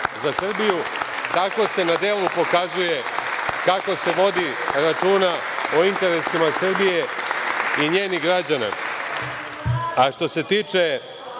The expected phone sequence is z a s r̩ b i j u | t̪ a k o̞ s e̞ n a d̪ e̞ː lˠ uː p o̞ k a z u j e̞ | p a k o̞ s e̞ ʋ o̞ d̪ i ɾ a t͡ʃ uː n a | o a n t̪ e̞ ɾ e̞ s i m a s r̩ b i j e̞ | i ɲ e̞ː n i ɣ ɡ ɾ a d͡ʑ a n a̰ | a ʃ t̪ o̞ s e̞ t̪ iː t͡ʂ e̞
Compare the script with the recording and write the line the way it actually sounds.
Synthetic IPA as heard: z a s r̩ b i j u | t̪ a k o̞ s e̞ n a d̪ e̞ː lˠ u p o̞ k a z u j e̞ | k a k o̞ s e̞ ʋ o̞ d̪ i ɾ a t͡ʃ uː n a | o i n t̪ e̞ ɾ e̞ s i m a s r̩ b i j e̞ | i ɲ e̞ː n i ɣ ɡ ɾ a d͡ʑ a n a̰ | a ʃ t̪ o̞ s e̞ t̪ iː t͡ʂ e̞

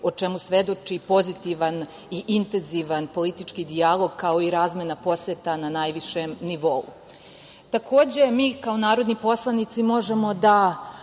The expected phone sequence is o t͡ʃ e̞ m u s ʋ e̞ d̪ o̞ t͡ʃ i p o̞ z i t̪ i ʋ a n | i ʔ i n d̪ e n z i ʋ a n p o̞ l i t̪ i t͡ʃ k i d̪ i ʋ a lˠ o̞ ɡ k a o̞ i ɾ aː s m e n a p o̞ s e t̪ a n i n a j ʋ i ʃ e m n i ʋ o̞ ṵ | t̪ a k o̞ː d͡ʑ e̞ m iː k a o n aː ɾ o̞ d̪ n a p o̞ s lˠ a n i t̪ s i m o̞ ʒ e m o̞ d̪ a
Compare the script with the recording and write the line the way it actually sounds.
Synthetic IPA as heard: o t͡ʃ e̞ m u s ʋ e̞ d̪ o̞ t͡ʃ i p o̞ z i t̪ i ʋ a n | i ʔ i n t̪ e n z i ʋ a n p o̞ l i t̪ i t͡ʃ k i d̪ i a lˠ o̞ ɡ k a o̞ i ɾ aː z m e n a p o̞ s e t̪ a n a n a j ʋ i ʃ e m n i ʋ o̞ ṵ | t̪ a k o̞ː d͡ʑ e̞ m iː k a o n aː ɾ o̞ d̪ n i p o̞ s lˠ a n i t̪ s i m o̞ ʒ e m o̞ d̪ a

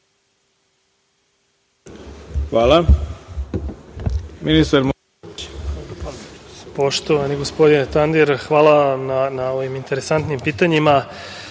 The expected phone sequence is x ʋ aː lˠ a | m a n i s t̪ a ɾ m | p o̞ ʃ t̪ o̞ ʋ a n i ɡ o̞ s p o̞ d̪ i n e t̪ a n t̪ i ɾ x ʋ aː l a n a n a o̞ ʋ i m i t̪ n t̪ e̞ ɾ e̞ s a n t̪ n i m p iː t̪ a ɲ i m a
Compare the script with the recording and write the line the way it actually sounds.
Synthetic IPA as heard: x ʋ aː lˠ a | m i n i s t̪ a ɾ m | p o̞ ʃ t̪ o̞ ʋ a n i ɡ o̞ s p o̞ d̪ i n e t̪ a n d̪ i ɾ x ʋ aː l a n a n a o̞ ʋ i m i n t̪ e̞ ɾ e̞ s a n t̪ n i m p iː t̪ a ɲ i m a

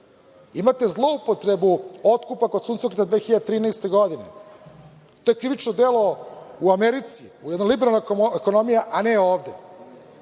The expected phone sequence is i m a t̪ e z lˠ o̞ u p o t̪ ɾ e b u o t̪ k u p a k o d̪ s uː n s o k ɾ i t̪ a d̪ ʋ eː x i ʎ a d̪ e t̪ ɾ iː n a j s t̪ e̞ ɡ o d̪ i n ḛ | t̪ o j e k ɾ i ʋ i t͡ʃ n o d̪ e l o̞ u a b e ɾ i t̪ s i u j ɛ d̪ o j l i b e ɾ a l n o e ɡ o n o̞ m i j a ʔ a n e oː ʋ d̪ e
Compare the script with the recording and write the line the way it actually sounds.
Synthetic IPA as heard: i m a t̪ e z lˠ o̞ u p o t̪ ɾ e b u o t̪ k u p a k o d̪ s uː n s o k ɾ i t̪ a d̪ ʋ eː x i ʎ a d̪ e t̪ ɾ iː n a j s t̪ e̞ ɡ o d̪ i n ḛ | t̪ o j e k ɾ i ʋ i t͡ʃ n o d̪ e l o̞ u a m e ɾ i t̪ s i u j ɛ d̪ o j l i b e ɾ a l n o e k o n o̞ m i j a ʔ a n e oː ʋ d̪ e

